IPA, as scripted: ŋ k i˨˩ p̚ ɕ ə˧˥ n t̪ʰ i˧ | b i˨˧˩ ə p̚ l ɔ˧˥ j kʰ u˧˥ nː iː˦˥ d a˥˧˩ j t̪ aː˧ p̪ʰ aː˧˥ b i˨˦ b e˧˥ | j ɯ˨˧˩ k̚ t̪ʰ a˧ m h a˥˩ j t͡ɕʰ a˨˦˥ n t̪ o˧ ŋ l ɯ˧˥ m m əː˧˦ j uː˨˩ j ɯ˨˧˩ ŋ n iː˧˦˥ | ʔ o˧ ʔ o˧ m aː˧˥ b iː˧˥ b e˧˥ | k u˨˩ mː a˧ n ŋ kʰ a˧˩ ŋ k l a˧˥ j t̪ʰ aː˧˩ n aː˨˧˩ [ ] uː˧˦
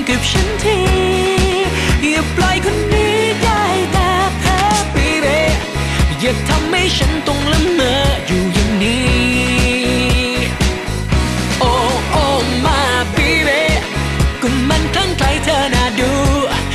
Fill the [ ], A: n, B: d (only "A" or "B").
B